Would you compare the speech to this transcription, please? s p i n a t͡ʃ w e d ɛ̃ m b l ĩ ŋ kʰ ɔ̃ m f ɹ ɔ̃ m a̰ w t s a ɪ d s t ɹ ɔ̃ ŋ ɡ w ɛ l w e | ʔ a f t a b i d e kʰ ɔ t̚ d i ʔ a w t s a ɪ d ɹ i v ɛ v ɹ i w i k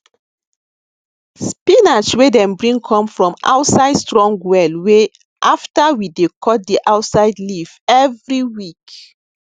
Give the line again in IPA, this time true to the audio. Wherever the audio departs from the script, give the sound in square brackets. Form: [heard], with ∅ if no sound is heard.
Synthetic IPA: s p i n a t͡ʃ w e d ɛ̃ m b [ɹ] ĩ ŋ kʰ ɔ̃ m f ɹ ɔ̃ m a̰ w t s a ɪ d s t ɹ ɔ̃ ŋ ɡ w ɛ l w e | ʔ a f t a [w] i d e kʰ ɔ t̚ d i ʔ a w t s a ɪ d [l] i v ɛ v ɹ i w i k